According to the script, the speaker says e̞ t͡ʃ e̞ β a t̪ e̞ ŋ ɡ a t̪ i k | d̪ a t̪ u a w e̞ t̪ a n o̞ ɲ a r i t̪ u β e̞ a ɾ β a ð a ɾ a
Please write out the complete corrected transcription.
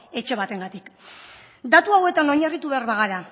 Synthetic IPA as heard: e̞ t͡ʃ e̞ β a t̪ e̞ ŋ ɡ a t̪ i k | d̪ a t̪ u a w e̞ t̪ a n o̞ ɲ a r i t̪ u β e̞ a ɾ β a ɣ a ɾ a